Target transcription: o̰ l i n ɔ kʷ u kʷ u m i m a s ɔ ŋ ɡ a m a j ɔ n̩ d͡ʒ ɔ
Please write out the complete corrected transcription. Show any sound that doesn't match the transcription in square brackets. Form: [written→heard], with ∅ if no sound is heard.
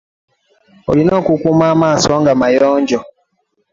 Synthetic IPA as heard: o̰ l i n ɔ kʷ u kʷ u m [i→a] m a s ɔ ŋ ɡ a m a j ɔ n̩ d͡ʒ ɔ